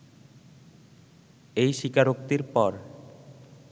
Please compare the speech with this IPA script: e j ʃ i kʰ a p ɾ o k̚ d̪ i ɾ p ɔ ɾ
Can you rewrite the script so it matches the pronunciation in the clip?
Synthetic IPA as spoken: e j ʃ i k a ɾ o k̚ t̪ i ɾ p ɔ ɾ